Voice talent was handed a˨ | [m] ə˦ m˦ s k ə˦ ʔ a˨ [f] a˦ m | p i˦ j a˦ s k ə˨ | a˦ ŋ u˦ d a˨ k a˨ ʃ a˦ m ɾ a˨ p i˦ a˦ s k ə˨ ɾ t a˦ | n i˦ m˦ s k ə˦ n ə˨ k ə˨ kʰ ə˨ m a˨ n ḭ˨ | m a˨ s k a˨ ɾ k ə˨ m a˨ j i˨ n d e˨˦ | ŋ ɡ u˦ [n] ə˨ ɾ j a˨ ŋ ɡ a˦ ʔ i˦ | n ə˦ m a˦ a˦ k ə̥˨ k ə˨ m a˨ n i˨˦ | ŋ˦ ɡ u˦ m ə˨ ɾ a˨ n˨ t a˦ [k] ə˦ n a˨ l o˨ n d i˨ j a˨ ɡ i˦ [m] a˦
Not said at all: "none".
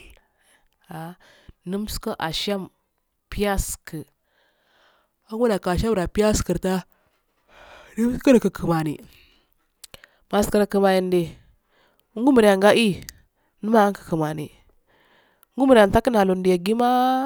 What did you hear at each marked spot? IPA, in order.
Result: n, ʃ, m, k, m

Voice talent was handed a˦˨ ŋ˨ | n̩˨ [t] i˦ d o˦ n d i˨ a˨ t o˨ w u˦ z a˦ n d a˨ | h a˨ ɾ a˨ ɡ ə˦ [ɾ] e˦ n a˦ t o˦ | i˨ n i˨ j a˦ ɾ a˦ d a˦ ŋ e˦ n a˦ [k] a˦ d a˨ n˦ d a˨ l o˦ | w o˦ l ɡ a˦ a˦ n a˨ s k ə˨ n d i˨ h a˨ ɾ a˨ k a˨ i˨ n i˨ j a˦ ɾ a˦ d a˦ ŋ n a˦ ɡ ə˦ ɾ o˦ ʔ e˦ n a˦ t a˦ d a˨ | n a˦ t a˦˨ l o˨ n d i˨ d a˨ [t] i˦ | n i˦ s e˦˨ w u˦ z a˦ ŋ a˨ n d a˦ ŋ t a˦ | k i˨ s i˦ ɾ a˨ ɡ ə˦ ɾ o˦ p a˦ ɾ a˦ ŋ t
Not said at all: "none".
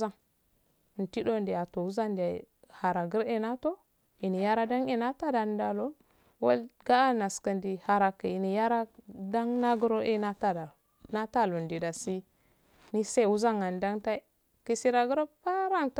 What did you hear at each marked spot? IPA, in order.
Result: t, ɾ, t, s

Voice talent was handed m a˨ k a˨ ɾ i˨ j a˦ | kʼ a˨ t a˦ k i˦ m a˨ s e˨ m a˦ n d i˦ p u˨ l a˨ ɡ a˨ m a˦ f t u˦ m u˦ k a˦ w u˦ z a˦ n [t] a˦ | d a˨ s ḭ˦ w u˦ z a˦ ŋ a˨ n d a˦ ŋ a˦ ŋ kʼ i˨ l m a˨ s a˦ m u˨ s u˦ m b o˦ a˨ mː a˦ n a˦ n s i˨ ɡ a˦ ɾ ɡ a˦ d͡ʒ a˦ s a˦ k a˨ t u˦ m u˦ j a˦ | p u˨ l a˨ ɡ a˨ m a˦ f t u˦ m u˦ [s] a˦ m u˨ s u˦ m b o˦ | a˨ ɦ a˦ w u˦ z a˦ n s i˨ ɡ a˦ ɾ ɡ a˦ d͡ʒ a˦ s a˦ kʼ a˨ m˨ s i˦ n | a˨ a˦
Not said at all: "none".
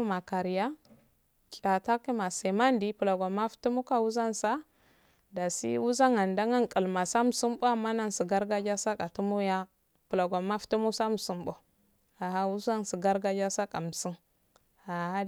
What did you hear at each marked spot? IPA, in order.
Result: s, s

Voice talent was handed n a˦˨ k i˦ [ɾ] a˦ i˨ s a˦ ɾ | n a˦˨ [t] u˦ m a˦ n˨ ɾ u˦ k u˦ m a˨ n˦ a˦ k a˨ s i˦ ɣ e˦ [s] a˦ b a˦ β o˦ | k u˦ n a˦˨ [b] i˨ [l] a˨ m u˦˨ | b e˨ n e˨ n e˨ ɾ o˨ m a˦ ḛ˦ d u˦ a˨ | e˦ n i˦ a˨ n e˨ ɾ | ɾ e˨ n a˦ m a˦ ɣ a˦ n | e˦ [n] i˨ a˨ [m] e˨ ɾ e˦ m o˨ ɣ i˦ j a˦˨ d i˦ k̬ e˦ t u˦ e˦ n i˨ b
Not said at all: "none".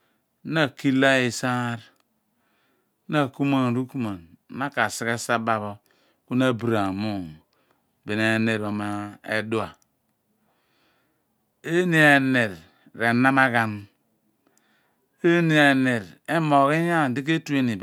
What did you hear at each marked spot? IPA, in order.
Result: l, k, s, b, ɾ, n, n

